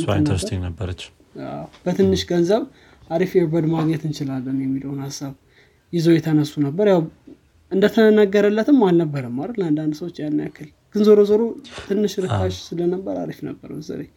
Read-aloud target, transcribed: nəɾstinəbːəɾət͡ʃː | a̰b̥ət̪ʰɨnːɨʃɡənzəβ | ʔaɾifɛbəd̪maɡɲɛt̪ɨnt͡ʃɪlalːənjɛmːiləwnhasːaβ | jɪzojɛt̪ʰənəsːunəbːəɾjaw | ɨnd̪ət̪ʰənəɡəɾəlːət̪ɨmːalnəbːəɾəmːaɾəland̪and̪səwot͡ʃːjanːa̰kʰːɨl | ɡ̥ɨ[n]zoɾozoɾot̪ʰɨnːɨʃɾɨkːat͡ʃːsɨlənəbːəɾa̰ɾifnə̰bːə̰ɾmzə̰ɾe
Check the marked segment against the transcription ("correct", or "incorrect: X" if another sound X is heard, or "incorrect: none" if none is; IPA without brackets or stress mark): correct